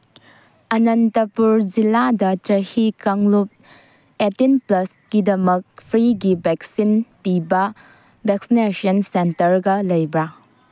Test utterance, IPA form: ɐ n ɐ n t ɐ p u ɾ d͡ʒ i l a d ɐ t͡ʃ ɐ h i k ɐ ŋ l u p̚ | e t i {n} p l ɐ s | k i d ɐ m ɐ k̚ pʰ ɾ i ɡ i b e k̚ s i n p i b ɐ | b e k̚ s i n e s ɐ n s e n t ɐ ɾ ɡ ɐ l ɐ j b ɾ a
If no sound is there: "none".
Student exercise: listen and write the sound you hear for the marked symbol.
n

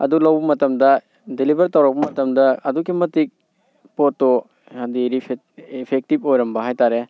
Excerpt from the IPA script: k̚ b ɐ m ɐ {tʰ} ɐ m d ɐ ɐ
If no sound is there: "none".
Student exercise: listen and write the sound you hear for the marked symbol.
t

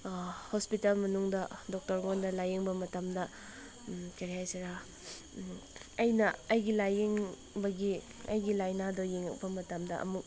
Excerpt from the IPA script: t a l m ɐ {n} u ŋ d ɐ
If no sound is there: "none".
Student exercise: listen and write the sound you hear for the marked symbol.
n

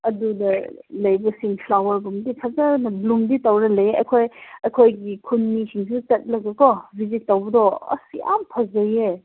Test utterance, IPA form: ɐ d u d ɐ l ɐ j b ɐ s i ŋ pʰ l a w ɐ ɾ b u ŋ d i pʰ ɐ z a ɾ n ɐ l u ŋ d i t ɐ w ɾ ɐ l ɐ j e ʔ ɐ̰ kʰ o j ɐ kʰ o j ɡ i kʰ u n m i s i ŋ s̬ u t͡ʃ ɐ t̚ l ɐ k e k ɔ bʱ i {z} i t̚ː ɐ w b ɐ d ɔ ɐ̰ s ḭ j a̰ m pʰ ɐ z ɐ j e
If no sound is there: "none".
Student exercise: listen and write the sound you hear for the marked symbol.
z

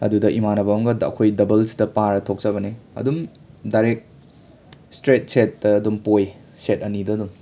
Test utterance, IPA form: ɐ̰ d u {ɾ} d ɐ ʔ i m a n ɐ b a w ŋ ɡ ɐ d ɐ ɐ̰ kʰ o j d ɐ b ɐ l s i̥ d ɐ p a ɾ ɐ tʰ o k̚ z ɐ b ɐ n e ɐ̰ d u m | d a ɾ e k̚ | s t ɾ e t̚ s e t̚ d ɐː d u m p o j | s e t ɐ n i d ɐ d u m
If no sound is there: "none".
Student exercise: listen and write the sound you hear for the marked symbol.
none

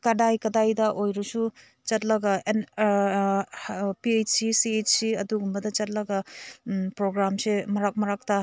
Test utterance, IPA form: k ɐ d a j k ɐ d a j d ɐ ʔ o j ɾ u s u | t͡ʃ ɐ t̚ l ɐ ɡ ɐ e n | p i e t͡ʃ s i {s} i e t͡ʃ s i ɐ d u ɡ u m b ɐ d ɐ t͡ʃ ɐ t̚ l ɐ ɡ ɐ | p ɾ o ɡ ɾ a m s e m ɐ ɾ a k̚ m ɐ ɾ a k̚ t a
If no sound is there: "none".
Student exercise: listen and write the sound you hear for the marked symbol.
s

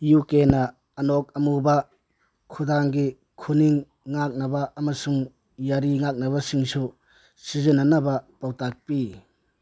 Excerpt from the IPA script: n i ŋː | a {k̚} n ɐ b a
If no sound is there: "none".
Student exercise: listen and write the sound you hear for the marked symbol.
k̚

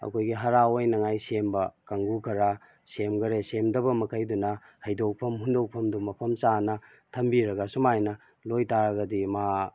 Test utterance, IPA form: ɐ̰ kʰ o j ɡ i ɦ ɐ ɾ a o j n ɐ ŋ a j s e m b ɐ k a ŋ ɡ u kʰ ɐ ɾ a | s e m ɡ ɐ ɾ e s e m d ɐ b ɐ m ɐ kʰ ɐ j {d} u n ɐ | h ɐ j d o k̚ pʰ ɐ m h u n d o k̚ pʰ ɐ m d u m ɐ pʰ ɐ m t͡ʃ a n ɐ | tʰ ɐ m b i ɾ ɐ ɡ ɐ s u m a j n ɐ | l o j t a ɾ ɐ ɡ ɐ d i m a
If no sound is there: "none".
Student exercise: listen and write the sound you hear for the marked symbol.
d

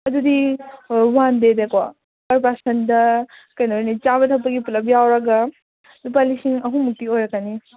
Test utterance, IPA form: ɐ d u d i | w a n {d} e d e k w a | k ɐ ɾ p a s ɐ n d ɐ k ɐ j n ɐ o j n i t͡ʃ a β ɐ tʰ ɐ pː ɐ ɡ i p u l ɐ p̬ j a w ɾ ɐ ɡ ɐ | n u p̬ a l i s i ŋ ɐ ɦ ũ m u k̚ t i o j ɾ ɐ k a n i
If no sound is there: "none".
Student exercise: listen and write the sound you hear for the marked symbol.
d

